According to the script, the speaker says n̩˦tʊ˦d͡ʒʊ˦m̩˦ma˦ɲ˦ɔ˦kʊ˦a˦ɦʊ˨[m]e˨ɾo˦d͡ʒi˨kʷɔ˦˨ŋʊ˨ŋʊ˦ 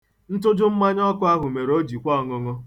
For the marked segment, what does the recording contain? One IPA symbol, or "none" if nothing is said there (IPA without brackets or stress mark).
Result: m